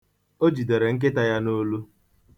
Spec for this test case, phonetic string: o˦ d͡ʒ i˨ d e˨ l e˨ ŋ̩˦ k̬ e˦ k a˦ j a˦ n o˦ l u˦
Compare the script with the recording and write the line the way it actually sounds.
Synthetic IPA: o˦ d͡ʒ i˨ d e˨ ɾ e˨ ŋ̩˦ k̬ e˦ t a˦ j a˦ n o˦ l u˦